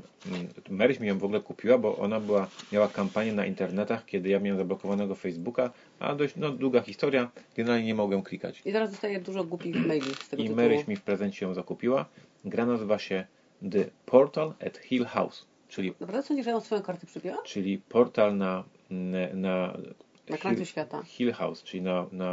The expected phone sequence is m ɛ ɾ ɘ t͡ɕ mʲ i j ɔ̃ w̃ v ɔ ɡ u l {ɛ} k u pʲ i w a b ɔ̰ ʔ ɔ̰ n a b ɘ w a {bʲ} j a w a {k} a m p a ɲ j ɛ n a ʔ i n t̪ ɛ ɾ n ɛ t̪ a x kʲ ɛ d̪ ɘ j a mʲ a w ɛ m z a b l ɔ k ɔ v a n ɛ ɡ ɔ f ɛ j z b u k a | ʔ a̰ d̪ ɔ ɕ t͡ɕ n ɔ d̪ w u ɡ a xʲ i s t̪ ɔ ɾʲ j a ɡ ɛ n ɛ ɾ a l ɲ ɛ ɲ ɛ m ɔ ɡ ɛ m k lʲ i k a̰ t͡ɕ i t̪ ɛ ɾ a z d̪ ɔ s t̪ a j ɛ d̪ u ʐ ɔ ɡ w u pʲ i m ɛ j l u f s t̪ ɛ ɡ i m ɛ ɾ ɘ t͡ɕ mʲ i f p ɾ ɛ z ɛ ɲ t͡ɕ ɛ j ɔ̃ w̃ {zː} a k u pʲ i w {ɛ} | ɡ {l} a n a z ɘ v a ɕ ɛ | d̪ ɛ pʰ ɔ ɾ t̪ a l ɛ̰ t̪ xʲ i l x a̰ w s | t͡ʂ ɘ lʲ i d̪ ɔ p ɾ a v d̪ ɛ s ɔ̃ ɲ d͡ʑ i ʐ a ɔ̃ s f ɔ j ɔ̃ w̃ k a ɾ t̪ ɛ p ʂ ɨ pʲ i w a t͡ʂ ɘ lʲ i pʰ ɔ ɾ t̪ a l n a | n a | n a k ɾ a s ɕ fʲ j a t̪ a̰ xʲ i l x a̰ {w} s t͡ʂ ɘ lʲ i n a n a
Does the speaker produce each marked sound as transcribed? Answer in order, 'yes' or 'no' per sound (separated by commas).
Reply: yes, no, yes, no, no, no, yes